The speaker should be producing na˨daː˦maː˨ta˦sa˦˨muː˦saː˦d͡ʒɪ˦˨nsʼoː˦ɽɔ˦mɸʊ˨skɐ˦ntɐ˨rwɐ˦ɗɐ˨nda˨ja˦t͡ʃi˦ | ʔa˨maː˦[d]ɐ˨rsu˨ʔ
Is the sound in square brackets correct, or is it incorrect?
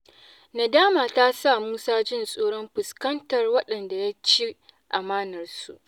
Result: incorrect